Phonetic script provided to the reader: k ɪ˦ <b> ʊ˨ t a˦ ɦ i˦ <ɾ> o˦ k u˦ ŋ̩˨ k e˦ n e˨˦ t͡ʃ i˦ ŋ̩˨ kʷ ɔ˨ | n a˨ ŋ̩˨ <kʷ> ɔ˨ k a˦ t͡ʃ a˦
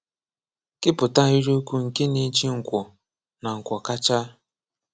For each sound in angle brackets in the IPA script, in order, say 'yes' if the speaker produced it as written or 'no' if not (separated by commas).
no, yes, yes